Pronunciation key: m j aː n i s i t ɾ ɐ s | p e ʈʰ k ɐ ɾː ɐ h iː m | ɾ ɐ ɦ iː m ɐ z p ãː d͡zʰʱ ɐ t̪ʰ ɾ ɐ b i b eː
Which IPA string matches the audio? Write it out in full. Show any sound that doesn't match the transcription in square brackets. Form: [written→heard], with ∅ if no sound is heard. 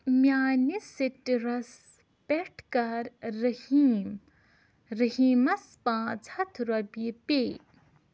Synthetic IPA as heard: m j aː n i s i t ɾ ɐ s | p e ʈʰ k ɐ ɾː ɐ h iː m | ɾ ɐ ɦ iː m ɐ [z→s] p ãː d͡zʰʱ ɐ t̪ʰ ɾ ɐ b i [b→p] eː